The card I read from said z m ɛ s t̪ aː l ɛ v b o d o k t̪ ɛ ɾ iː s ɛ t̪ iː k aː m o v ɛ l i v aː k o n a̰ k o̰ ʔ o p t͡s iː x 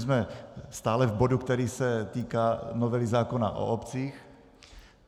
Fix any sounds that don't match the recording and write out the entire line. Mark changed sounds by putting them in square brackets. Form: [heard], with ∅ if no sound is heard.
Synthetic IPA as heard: z m ɛ s t̪ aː l ɛ v b o d [u] k t̪ ɛ ɾ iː s ɛ t̪ iː k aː [n] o v ɛ l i [z] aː k o n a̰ [ʔ] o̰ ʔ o p t͡s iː x